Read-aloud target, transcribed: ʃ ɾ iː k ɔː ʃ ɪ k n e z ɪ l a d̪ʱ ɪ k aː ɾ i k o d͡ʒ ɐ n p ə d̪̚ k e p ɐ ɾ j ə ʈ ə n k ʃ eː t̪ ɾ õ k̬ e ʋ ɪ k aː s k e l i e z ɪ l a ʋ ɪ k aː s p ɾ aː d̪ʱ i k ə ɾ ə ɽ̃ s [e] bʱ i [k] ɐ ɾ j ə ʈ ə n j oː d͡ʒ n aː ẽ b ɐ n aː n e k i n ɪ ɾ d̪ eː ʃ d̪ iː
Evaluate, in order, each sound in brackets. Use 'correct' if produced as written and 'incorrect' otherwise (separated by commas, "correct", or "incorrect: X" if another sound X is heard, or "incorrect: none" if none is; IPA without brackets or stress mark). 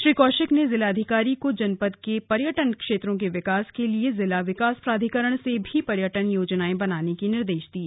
correct, incorrect: p